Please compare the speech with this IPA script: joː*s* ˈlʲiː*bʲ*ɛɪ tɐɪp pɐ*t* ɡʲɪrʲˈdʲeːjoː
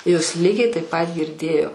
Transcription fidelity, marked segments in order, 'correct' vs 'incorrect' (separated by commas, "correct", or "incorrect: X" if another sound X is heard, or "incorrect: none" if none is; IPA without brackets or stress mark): correct, incorrect: ɡʲ, correct